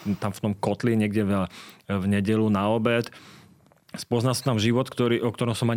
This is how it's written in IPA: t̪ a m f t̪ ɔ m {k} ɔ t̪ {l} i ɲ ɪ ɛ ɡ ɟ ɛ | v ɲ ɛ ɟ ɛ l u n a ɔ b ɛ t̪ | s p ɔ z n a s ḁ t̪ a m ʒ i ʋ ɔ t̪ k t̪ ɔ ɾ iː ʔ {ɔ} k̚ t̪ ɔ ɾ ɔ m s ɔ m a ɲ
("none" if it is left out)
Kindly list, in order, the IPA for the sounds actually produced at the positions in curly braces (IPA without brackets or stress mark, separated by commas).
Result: k, l, ɔ